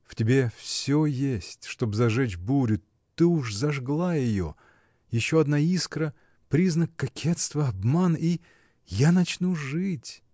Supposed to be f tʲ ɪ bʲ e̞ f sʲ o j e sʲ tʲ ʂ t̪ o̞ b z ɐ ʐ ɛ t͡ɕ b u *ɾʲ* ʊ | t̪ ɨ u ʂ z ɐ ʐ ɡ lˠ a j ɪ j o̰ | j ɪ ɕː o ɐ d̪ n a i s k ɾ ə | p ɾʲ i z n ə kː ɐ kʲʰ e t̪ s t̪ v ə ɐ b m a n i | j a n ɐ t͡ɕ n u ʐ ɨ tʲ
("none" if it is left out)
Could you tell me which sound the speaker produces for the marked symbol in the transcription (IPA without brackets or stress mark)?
ɾʲ